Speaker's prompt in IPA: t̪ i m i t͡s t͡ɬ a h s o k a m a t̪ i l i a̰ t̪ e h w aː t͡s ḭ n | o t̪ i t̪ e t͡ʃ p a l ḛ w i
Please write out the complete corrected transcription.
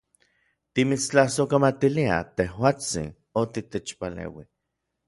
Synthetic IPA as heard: t̪ i m i t͡s t͡ɬ a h s o k a m a t̪ i l i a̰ t̪ e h w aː t͡s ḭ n | o t̪ i t̪ e t͡ʃ p a l ḛ w i